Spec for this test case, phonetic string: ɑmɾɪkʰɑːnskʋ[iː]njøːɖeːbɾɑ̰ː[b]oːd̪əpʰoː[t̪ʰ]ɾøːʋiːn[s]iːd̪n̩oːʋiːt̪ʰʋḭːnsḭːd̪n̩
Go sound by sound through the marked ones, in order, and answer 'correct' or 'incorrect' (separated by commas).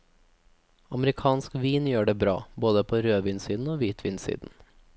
correct, correct, incorrect, correct